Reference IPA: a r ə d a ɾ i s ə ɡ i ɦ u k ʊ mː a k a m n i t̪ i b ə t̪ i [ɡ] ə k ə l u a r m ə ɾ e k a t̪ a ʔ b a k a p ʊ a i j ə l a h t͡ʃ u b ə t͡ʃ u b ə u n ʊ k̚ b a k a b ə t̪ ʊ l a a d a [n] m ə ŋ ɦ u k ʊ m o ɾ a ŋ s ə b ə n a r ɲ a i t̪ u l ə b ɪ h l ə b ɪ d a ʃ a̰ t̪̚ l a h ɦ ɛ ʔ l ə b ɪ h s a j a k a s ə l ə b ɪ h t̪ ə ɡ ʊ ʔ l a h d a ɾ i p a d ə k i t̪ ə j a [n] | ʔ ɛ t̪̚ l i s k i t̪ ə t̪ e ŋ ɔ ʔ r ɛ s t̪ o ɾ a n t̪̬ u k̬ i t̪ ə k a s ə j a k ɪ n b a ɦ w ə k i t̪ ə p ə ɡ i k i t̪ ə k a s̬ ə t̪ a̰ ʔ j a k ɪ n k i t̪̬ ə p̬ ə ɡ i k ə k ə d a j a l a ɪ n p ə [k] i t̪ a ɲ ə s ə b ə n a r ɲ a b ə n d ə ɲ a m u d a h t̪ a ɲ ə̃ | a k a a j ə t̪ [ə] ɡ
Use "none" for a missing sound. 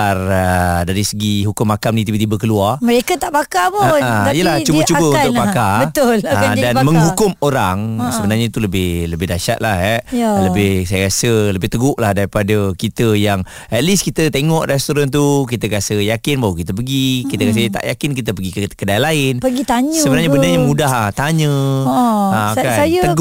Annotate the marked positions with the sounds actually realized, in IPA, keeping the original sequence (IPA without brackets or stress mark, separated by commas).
b, n, ŋ, ɡ, ə